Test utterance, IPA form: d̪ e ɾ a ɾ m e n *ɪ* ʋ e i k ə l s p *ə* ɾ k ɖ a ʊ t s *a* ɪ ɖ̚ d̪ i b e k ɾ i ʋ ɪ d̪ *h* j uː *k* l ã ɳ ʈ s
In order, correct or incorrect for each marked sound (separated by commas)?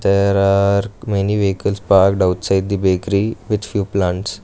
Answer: incorrect, incorrect, correct, incorrect, incorrect